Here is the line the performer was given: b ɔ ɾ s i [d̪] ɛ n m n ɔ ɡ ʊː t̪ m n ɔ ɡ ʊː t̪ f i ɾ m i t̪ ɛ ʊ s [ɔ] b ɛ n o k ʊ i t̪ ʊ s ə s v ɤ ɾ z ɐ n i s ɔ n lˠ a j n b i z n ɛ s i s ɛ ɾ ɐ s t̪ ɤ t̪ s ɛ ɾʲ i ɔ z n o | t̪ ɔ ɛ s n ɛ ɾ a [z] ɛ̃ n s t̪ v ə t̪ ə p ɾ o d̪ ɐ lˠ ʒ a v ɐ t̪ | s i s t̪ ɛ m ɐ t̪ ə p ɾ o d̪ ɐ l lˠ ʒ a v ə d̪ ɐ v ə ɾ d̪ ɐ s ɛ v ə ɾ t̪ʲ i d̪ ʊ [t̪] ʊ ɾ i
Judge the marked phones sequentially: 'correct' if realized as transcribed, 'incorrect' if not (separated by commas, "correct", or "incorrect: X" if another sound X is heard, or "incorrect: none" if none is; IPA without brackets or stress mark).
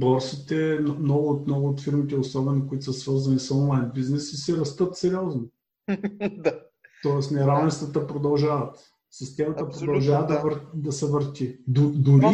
incorrect: t̪, correct, incorrect: v, incorrect: d̪